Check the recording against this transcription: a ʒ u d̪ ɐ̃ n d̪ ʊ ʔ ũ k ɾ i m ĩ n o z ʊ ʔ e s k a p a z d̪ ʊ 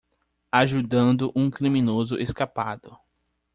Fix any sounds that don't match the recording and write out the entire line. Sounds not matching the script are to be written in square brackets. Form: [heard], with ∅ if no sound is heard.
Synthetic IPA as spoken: a ʒ u d̪ ɐ̃ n d̪ ʊ ʔ ũ k ɾ i m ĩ n o z ʊ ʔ e s k a p a [∅] d̪ ʊ